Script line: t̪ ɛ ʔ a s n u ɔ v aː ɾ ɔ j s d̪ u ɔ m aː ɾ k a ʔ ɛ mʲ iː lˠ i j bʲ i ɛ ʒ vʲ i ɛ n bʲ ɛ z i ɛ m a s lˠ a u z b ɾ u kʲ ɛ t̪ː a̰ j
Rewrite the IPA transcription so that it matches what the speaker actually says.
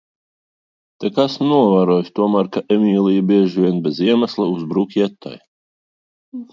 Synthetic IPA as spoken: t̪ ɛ k a s n u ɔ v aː ɾ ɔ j s t̪ u ɔ m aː ɾ k a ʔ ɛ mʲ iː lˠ i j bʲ i ɛ ʒ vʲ i ɛ n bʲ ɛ z i ɛ m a s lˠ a u z b ɾ u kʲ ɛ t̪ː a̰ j